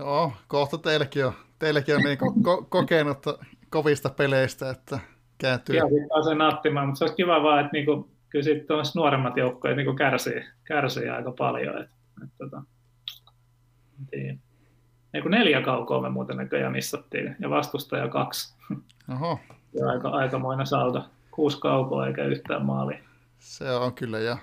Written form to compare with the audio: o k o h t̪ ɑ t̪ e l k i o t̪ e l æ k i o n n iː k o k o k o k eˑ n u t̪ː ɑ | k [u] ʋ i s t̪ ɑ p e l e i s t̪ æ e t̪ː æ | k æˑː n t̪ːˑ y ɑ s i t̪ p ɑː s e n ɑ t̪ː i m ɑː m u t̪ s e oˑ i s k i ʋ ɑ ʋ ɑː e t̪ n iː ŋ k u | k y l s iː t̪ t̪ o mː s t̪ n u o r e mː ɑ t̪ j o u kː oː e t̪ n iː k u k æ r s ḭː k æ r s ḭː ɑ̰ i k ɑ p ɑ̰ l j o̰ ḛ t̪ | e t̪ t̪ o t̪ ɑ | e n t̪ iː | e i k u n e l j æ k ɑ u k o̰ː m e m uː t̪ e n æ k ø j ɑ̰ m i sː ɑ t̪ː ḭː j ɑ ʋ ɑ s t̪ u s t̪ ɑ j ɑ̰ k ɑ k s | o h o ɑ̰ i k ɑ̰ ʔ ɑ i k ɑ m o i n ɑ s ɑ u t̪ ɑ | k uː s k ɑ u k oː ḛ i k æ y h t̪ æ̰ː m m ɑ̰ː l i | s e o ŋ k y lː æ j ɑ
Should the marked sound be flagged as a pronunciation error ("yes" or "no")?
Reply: yes